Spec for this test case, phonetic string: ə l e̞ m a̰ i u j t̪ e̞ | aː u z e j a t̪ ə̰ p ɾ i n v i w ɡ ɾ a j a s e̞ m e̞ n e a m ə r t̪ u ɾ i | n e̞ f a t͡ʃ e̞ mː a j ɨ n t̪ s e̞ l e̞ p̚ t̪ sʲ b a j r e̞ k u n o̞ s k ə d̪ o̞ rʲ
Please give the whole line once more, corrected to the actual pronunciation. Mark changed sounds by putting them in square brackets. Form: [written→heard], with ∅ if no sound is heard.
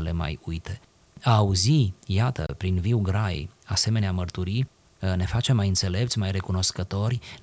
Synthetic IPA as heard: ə l e̞ m a̰ [i→j] u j t̪ e̞ | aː u z [e→i] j a t̪ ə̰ p ɾ i n v i w ɡ ɾ a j a s e̞ m e̞ n e a m ə r t̪ u ɾ i | n e̞ f a t͡ʃ e̞ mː a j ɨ n t̪ s e̞ l e̞ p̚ t̪ sʲ [b→m] a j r e̞ k u n o̞ s k ə [d̪→t̪] o̞ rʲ